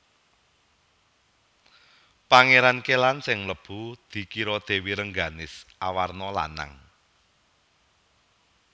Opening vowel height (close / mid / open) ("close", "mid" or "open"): open